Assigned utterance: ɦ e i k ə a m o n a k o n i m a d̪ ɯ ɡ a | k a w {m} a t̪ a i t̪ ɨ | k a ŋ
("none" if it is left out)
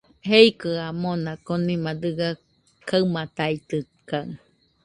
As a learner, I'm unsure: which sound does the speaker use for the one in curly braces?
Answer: m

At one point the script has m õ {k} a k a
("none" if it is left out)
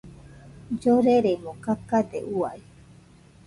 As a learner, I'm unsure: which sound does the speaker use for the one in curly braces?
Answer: k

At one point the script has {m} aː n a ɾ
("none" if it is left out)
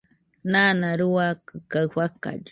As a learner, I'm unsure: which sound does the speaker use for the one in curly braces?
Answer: n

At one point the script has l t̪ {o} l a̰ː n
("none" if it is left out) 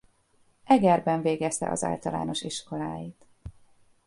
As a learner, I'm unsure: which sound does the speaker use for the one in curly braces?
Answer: ɒ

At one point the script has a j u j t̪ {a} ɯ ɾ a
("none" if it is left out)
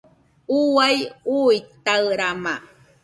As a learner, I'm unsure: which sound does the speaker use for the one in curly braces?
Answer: a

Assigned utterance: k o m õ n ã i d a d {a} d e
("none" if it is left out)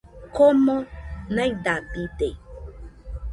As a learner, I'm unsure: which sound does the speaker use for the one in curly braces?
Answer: i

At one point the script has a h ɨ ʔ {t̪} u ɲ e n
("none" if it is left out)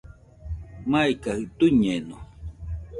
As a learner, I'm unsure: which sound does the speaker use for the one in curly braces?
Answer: t̪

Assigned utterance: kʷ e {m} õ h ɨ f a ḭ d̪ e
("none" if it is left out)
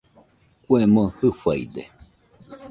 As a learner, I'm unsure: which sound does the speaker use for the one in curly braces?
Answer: m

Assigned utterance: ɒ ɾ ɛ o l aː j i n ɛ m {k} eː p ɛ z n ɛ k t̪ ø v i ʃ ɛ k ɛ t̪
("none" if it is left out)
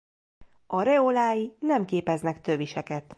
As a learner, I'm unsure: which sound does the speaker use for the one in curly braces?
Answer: k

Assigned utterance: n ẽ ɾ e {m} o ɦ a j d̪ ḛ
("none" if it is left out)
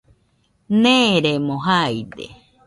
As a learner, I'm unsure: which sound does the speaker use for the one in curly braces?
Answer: m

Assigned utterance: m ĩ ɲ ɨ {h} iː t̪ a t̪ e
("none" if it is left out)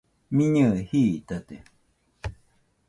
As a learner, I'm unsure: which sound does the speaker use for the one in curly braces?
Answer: h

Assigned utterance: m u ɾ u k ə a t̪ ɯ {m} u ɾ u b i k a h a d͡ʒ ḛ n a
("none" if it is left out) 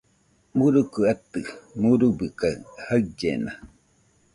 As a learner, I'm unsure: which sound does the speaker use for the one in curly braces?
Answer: m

